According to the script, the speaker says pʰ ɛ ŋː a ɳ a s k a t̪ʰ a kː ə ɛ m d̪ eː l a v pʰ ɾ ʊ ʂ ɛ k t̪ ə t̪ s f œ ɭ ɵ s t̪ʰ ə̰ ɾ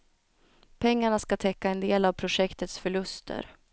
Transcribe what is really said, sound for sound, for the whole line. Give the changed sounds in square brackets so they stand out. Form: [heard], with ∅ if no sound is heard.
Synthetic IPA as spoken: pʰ ɛ ŋː a ɳ a s k a t̪ʰ [ɛ] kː [a] ɛ [n] d̪ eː l a v pʰ ɾ ʊ ʂ ɛ k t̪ ə t̪ s f œ ɭ ɵ s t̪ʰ ə̰ ɾ